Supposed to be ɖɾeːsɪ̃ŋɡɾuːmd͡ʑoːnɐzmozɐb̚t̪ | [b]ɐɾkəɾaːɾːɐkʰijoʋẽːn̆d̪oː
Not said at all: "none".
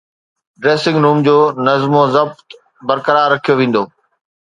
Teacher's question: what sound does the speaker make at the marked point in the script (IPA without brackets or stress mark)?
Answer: b